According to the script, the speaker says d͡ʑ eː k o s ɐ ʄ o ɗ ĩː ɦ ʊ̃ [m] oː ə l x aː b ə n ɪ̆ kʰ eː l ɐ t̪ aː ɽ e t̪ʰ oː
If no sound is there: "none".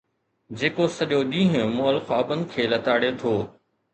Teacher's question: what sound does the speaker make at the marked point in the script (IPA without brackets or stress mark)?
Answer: m